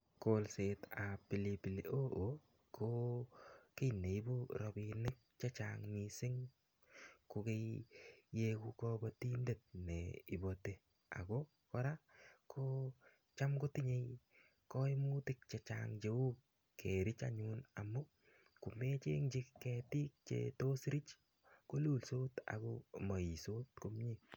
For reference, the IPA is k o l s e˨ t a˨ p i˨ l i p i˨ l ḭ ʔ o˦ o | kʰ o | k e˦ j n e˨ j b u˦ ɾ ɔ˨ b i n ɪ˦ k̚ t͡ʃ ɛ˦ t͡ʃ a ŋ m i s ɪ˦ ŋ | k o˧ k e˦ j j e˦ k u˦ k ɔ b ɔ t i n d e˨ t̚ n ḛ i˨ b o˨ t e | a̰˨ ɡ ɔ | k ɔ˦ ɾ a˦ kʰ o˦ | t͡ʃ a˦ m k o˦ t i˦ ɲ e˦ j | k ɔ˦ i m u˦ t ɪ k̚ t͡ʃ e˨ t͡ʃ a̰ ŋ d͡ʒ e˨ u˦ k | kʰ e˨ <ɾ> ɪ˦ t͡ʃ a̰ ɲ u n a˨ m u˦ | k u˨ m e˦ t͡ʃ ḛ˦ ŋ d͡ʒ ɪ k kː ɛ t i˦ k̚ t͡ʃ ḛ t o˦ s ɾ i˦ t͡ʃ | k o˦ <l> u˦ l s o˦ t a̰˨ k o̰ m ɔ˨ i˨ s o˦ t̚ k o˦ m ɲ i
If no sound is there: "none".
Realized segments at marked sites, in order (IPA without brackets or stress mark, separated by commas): ɾ, l